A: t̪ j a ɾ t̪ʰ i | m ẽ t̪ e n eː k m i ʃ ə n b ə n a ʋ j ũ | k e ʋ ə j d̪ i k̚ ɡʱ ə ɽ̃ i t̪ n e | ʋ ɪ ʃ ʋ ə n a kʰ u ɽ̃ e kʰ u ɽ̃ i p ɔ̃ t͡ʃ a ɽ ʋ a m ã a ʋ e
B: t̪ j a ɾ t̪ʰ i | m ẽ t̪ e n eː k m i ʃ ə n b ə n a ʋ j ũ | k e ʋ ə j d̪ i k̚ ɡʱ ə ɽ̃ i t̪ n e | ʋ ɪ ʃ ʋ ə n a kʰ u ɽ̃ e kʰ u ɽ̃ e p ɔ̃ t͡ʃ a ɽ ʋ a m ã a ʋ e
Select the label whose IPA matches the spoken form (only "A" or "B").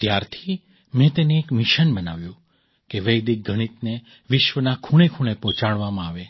B